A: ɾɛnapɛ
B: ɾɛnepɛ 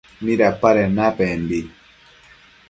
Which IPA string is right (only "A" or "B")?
A